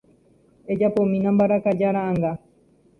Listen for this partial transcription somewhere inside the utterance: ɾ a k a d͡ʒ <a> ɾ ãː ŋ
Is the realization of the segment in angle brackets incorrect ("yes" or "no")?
no